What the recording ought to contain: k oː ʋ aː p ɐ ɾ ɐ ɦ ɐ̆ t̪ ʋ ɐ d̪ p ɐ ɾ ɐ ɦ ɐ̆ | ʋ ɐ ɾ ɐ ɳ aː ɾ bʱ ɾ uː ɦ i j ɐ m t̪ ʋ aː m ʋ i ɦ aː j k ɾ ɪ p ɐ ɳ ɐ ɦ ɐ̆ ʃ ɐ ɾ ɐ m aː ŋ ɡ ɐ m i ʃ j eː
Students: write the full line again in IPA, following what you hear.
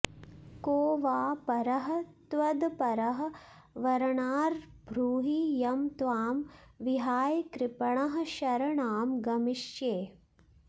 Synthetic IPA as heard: k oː ʋ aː p ɐ ɾ ɐ ɦ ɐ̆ t̪ ʋ ɐ d̪ p ɐ ɾ ɐ ɦ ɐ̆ | ʋ ɐ ɾ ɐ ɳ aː ɾ bʱ ɾ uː ɦ i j ɐ m t̪ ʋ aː m ʋ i ɦ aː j k ɾ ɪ p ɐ ɳ ɐ ɦ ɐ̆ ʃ ɐ ɾ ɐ ɳ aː m ɡ ɐ m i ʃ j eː